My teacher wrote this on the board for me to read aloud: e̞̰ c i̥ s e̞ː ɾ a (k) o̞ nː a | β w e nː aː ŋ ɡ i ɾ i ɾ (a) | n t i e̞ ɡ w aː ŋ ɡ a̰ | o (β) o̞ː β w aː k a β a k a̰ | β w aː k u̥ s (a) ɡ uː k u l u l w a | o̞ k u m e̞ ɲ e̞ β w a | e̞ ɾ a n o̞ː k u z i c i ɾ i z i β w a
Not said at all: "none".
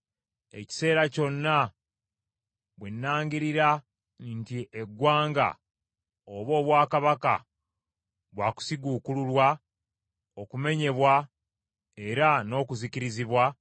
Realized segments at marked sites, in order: c, a, β, i

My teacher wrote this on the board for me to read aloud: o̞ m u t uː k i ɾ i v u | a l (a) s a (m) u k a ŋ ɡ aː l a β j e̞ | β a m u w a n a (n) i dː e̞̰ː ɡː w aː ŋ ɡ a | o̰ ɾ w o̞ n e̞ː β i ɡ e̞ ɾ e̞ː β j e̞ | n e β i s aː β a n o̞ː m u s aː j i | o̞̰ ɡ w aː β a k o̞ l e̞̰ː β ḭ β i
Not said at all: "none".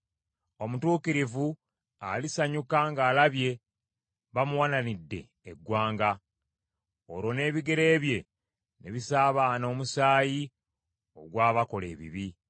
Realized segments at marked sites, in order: i, ɲ, n

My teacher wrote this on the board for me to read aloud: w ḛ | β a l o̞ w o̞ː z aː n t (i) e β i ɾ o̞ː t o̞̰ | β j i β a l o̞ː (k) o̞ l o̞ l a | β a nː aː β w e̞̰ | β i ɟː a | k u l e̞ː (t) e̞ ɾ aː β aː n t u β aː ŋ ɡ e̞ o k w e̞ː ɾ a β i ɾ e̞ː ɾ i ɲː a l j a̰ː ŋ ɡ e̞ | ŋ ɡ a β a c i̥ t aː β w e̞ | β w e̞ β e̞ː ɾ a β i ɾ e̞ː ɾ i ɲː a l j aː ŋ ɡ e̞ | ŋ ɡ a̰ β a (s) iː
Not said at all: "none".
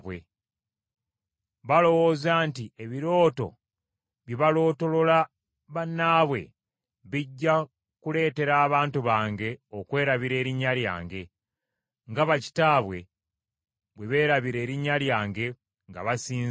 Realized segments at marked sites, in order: i, t, t, s

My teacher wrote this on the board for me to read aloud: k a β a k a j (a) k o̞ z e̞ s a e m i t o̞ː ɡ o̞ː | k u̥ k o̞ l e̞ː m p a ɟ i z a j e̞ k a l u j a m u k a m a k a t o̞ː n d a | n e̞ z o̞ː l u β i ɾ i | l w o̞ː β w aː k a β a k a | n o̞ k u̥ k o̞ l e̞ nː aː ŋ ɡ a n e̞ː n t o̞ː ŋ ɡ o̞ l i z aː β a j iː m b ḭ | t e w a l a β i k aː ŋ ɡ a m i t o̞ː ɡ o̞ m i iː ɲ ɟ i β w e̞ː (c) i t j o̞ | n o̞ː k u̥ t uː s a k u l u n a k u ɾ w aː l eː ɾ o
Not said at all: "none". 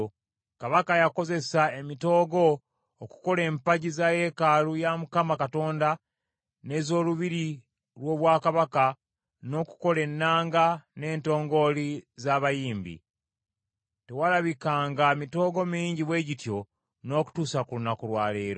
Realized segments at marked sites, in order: a, ɟ

